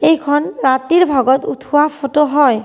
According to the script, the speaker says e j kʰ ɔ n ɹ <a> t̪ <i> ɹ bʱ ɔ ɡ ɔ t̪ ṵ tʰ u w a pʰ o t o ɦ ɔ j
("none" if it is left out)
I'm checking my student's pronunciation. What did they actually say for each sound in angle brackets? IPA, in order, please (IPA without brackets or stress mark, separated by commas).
a, i